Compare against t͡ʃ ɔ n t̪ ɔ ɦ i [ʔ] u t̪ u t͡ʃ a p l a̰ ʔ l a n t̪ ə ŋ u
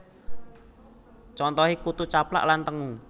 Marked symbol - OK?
no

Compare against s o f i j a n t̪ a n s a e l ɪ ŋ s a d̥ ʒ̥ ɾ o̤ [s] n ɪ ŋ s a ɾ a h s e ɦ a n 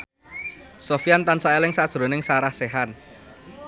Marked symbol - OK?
no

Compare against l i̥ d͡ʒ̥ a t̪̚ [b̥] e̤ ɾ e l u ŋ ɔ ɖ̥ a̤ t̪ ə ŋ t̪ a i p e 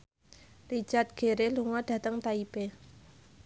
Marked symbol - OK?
no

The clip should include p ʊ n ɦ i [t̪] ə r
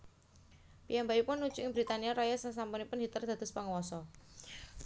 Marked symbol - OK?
yes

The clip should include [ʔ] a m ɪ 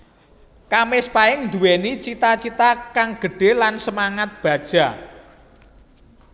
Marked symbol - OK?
no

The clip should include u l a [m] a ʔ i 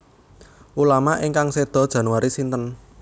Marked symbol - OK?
yes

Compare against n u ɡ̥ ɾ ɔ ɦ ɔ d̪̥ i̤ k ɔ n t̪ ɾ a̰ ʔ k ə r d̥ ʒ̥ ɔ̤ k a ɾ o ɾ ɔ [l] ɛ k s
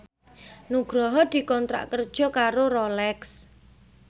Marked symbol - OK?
yes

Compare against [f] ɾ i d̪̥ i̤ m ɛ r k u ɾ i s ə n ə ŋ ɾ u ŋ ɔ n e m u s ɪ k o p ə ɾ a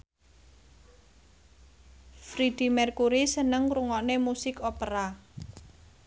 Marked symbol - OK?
yes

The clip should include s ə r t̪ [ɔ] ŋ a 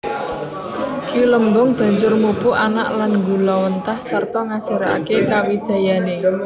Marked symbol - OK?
yes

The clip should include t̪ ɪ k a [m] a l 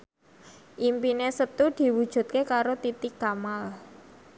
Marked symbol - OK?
yes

